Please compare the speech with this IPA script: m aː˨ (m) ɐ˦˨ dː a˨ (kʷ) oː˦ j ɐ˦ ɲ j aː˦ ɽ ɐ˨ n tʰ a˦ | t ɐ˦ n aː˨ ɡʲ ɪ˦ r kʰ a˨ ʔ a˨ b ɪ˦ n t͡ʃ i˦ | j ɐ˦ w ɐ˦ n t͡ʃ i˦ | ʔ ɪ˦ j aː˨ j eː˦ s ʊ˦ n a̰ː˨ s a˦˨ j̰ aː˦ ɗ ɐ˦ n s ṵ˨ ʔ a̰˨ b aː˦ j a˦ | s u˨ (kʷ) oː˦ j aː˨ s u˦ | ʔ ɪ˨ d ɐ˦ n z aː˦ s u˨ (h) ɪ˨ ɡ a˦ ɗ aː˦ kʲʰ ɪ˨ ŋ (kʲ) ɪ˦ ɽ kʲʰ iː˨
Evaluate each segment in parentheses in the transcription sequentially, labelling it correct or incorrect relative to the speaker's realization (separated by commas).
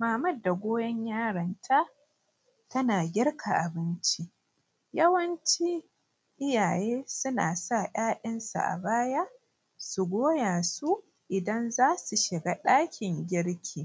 correct, incorrect, incorrect, incorrect, incorrect